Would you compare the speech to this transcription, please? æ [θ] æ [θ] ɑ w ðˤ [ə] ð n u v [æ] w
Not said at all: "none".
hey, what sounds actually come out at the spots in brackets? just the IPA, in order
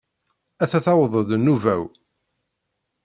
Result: θ, θ, ə, æ

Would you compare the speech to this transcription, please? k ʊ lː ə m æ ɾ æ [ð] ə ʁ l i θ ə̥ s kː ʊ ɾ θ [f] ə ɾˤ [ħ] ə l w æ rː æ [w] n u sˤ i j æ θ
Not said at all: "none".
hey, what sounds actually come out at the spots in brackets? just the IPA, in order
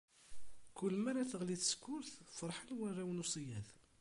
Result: θ, f, ħ, w

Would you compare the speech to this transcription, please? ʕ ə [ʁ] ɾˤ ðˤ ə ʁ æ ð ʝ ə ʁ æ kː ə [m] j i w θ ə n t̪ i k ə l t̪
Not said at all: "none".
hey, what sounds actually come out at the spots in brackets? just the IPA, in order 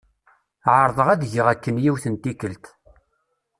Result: none, n

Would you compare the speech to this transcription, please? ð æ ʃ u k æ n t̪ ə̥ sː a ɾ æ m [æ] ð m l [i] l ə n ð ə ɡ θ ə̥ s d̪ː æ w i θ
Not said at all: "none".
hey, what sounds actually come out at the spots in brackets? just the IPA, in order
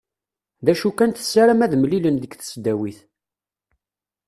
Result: æ, i

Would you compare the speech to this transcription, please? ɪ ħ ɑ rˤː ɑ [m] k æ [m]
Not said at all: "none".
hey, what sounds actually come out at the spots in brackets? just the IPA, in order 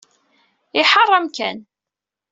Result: m, n

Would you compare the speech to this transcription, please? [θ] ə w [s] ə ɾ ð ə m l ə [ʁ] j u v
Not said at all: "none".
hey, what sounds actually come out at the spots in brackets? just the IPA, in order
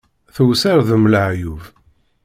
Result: θ, s, ʕ

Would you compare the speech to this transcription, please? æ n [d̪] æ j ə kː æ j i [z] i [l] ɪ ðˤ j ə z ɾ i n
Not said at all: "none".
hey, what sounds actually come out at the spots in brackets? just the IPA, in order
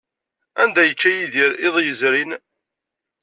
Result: d̪, ð, ɾ

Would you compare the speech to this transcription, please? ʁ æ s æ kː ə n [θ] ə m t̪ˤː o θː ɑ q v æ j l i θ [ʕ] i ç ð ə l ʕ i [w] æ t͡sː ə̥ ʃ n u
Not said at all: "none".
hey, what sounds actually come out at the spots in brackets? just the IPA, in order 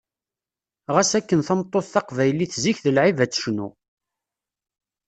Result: θ, z, v

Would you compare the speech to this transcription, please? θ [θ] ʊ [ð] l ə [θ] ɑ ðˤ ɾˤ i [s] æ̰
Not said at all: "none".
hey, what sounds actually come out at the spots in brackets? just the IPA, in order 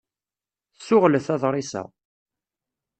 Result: s, ʁ, θ, s

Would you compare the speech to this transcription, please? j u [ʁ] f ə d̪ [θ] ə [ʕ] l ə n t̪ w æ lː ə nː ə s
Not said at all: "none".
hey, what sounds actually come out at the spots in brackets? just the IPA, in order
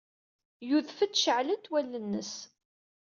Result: ð, ʃ, ʕ

